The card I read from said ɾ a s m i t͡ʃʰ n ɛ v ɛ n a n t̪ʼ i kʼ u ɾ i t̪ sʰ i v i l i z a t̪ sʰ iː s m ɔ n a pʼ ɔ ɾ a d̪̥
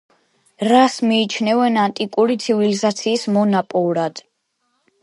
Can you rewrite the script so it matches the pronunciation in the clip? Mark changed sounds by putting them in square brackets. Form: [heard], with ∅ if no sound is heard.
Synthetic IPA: ɾ a s m [iː] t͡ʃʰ n ɛ v ɛ n a n t̪ʼ i kʼ u ɾ i t̪ sʰ i v i l i z a t̪ sʰ iː s m ɔ n a pʼ ɔ ɾ a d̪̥